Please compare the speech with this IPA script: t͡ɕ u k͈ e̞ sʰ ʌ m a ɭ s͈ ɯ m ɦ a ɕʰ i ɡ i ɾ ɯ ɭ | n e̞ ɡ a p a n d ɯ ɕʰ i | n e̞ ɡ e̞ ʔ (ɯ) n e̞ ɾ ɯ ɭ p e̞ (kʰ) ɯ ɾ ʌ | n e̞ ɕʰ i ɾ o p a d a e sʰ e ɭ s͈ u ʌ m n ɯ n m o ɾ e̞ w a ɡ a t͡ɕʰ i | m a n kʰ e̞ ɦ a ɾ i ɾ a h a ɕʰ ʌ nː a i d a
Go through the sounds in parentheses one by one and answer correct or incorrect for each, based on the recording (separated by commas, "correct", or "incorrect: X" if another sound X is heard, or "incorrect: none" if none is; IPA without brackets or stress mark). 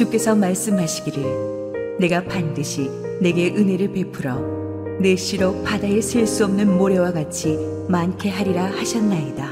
correct, incorrect: pʰ